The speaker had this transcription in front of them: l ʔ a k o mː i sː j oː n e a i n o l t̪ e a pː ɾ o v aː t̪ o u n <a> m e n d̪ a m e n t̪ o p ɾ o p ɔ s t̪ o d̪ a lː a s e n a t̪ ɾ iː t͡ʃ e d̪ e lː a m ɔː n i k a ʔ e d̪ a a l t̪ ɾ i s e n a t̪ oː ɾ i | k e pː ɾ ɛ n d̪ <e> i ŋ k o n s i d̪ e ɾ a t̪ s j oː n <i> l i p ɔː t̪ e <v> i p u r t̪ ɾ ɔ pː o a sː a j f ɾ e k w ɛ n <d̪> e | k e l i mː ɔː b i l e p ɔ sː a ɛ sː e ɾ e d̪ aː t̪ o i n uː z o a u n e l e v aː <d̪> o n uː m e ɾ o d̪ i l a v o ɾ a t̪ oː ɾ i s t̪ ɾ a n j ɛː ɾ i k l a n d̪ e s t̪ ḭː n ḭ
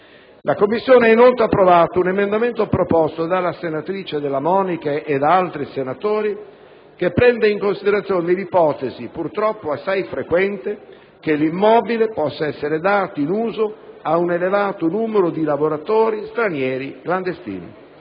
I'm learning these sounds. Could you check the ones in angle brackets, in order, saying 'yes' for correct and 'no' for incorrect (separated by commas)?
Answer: no, yes, no, no, no, no